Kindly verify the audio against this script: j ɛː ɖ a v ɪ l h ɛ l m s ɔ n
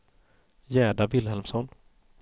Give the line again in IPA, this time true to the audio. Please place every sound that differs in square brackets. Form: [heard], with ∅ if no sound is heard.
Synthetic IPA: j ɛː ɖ a v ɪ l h ɛ l m s ɔ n